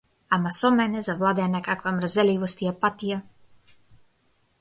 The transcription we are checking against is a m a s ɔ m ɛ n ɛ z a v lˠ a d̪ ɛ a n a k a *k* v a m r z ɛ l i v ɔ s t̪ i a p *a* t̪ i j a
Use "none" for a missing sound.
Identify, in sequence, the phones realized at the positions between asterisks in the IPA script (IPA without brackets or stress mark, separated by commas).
k, a